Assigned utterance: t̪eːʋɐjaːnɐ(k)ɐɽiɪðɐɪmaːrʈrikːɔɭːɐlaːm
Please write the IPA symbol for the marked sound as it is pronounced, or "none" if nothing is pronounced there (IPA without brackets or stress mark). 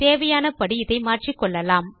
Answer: p